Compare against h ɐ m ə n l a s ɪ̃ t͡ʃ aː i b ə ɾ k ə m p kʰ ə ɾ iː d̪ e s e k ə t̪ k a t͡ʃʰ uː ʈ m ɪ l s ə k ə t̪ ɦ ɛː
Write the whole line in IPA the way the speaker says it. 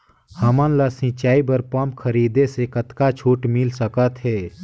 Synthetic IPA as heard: h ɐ m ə n l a s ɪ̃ t͡ʃ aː i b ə ɾ p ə m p kʰ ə ɾ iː d̪ e s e k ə t̪ k a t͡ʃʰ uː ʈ m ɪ l s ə k ə t̪ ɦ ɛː